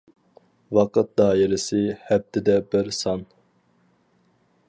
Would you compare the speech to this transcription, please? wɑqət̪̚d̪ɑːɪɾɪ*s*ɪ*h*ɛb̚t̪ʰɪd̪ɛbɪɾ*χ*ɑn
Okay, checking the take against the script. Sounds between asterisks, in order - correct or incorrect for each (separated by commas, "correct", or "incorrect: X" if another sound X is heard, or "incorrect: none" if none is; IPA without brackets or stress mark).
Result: correct, correct, incorrect: s